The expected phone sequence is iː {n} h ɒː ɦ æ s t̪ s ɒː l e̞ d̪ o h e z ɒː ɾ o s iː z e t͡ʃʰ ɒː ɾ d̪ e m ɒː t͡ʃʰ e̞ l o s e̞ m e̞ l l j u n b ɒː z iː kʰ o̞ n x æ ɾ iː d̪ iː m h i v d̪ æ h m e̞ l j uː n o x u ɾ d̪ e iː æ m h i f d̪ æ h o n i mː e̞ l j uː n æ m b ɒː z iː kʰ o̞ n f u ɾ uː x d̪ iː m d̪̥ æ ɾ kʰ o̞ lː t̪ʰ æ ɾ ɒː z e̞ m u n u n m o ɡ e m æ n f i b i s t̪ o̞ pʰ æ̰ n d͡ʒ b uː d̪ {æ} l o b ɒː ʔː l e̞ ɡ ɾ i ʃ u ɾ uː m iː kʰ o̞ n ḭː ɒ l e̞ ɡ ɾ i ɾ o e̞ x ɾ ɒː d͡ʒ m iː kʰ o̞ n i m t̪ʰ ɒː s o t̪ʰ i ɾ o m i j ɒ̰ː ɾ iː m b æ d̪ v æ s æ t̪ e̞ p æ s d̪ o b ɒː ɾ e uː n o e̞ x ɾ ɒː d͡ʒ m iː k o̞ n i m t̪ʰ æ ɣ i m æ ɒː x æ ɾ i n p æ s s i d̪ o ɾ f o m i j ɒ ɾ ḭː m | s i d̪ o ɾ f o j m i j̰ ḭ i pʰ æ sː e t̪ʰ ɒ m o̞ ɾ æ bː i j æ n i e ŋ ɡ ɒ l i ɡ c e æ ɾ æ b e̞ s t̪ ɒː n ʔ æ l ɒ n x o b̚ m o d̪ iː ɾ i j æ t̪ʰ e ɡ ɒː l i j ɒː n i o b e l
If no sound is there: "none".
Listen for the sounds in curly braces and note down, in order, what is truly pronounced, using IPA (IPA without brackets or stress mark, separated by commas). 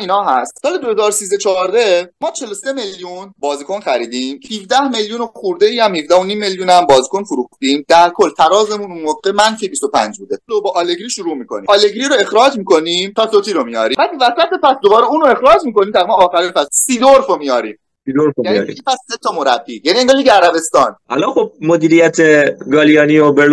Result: n, e